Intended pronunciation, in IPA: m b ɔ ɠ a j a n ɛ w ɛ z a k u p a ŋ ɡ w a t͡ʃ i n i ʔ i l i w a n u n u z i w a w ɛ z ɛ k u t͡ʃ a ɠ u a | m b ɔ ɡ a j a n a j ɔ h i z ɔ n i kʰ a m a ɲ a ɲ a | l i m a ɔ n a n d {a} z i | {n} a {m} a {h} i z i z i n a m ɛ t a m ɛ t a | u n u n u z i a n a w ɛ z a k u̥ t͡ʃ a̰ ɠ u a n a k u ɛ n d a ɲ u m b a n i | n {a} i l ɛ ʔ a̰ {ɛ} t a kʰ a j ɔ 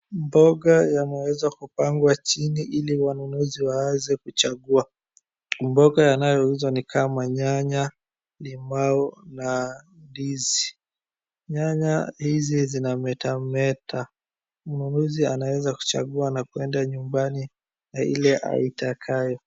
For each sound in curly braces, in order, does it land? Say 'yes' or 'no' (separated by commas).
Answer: no, no, no, yes, yes, no